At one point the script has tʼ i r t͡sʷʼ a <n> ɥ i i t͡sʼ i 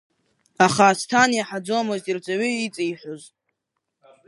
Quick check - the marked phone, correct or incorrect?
incorrect